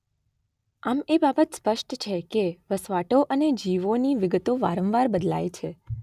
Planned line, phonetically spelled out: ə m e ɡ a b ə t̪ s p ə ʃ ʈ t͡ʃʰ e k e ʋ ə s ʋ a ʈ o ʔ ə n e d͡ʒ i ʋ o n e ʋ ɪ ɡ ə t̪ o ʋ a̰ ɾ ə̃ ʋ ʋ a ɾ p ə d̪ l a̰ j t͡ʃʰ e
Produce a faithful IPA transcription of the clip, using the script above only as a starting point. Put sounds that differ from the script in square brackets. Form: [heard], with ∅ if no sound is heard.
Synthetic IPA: [a] m e [b] a b ə t̪ s p ə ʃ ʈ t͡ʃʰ e k e ʋ ə s ʋ a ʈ o ʔ ə n e d͡ʒ i ʋ o n [i] ʋ ɪ ɡ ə t̪ o ʋ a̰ ɾ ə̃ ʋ ʋ a ɾ [b] ə d̪ l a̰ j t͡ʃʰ e